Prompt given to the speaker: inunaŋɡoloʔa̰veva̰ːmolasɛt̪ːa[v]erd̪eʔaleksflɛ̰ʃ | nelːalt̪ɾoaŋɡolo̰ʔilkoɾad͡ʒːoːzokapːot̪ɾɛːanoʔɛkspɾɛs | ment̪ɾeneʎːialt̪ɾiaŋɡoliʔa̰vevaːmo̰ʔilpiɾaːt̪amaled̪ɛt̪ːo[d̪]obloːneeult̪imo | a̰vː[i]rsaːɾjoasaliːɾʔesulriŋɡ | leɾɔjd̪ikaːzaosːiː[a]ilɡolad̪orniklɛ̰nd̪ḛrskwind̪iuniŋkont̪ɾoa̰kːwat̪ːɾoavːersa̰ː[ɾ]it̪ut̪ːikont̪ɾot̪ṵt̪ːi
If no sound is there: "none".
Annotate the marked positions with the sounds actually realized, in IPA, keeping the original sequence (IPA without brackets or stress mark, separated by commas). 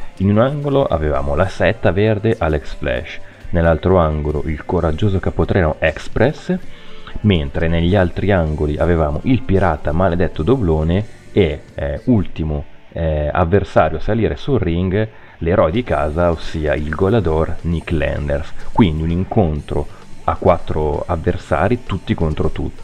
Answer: v, d̪, e, a, ɾ